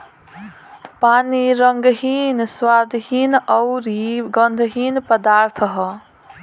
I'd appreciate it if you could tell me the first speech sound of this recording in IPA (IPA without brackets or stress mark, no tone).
p